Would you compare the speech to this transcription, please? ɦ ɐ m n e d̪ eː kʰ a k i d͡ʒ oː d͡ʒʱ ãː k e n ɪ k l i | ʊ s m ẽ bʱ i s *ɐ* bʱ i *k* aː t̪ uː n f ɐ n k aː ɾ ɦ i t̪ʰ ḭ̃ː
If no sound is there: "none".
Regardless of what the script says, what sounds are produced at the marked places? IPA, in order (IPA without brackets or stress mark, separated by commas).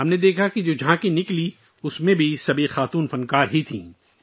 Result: ɐ, x